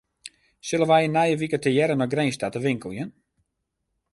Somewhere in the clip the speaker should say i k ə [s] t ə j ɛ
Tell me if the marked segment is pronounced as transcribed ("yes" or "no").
no